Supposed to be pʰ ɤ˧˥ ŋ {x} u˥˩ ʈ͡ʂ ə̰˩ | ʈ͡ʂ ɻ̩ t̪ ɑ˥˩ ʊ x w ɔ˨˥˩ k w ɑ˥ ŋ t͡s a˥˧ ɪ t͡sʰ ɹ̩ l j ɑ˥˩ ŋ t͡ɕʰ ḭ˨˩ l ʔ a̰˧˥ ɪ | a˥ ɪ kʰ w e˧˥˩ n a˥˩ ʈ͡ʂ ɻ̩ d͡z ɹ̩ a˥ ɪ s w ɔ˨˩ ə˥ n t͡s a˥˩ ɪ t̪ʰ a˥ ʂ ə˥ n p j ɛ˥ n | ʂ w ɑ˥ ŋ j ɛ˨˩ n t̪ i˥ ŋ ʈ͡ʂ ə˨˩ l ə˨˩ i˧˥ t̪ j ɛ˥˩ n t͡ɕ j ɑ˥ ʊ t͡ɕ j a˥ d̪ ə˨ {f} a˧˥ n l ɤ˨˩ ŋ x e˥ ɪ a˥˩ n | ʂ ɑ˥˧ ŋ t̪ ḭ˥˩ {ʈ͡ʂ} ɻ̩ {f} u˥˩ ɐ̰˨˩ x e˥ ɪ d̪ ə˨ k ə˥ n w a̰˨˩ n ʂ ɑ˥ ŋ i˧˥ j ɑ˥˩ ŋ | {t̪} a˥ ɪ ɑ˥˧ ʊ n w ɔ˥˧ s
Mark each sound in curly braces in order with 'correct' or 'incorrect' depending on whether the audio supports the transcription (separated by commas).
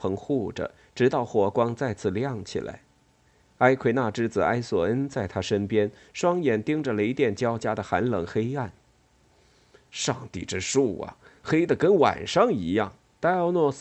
correct, incorrect, correct, incorrect, correct